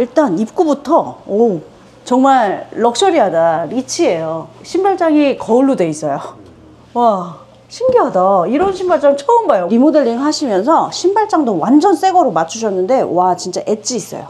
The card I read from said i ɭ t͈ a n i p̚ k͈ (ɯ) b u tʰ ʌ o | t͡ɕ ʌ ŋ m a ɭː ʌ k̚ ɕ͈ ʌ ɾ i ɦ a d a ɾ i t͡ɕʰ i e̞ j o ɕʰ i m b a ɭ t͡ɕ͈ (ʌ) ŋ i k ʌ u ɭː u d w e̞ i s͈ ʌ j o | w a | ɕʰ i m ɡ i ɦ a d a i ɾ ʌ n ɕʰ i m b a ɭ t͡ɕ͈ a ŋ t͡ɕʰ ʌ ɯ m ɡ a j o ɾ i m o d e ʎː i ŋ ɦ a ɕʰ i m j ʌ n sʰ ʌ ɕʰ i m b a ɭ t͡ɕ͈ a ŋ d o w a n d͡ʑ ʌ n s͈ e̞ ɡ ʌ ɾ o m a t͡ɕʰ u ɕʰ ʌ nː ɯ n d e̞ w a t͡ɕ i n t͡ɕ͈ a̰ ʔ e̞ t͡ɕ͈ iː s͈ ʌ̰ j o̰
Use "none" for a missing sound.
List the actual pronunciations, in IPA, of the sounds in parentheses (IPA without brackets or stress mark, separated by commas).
u, a